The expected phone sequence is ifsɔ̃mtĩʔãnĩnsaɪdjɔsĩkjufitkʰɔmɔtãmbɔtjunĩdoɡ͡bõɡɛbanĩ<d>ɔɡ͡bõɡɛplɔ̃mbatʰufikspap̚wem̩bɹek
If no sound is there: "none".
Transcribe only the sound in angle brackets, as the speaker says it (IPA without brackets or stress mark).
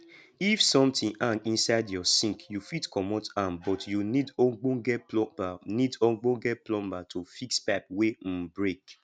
d